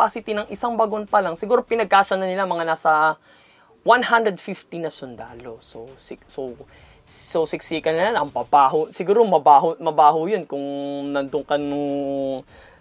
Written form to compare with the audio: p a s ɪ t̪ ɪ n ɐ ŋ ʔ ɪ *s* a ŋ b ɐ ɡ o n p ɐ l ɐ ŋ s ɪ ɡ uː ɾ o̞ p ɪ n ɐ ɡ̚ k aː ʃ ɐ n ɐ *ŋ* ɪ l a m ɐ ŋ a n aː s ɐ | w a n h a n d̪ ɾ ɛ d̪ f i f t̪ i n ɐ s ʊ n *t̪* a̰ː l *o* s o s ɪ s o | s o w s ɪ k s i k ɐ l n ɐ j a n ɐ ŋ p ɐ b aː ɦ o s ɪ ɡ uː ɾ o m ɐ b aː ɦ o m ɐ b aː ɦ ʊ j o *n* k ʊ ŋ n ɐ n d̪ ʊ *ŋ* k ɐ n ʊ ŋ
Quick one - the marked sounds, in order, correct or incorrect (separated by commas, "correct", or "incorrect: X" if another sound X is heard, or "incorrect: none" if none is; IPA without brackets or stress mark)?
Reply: correct, incorrect: n, incorrect: d̪, correct, correct, correct